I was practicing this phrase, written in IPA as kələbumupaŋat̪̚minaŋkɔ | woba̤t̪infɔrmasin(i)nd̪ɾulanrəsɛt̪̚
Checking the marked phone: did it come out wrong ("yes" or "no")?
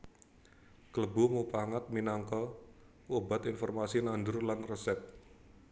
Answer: yes